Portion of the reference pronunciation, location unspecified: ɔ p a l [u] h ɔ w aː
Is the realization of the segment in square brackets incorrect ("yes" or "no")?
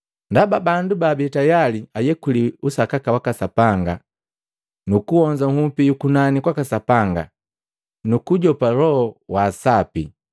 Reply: yes